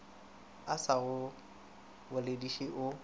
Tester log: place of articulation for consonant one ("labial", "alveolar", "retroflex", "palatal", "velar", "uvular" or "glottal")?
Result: alveolar